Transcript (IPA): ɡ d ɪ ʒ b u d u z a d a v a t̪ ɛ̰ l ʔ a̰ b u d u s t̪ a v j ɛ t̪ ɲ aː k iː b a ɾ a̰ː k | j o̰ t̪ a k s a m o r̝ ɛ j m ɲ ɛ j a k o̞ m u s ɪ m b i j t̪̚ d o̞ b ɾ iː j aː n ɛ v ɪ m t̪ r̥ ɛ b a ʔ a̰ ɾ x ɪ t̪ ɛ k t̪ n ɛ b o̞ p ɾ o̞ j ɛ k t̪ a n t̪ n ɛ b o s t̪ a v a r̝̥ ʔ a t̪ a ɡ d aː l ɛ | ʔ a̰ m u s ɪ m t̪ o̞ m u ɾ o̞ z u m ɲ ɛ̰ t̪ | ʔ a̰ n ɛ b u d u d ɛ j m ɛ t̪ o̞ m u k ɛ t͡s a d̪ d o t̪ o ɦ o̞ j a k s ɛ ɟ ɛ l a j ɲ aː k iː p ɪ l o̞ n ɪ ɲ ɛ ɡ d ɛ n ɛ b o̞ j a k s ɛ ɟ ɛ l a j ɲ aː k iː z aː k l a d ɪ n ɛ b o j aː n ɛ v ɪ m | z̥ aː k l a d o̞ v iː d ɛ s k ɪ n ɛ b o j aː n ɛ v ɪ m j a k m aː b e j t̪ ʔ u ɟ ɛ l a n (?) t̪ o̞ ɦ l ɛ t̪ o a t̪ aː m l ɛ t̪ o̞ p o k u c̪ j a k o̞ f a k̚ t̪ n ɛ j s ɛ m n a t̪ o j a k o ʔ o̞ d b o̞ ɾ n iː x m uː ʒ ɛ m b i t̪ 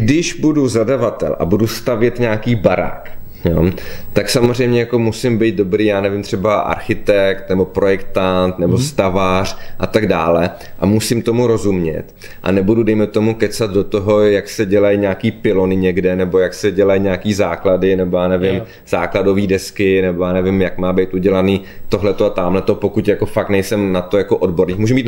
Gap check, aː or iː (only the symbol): iː